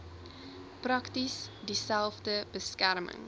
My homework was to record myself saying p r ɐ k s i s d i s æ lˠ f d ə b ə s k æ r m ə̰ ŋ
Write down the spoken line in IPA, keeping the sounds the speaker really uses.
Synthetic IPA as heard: p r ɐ k t i s d i s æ lˠ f d ə b ə s k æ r m ə̰ ŋ